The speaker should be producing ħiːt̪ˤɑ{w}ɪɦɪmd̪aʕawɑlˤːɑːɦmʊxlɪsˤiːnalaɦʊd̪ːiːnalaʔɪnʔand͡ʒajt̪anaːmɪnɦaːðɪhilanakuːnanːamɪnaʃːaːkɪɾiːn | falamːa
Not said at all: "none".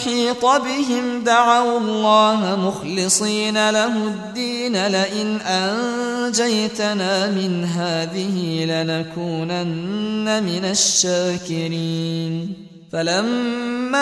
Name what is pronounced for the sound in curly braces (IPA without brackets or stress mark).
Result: b